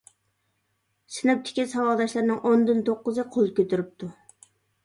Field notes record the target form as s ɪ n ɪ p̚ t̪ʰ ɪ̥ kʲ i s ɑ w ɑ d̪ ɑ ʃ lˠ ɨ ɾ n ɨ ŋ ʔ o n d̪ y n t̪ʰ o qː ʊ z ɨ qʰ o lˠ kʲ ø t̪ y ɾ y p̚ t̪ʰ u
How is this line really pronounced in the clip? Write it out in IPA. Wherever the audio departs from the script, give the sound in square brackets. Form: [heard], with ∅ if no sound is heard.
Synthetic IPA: s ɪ n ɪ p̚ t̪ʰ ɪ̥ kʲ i s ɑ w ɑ d̪ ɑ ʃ lˠ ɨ ɾ n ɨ ŋ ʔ o n d̪ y n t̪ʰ o qː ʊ z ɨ qʰ o lˠ kʲ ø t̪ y ɾ y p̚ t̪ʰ u